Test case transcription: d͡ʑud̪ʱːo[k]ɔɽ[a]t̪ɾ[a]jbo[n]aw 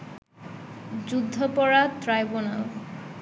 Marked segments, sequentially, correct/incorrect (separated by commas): incorrect, correct, correct, correct